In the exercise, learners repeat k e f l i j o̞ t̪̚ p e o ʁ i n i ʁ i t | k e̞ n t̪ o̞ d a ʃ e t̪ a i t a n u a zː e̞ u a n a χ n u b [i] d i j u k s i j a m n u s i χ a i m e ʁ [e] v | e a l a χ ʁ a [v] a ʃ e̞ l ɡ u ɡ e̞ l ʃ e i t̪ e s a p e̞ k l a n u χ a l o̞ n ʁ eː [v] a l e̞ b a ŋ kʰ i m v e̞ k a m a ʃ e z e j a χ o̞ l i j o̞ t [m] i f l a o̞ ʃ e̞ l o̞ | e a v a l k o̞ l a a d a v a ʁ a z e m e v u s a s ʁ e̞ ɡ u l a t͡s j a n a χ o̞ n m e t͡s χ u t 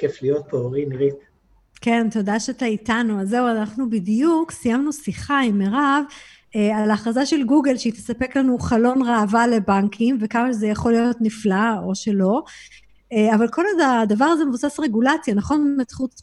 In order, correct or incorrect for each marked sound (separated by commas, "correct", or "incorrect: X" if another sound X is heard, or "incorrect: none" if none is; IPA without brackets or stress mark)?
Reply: correct, incorrect: a, incorrect: z, correct, incorrect: n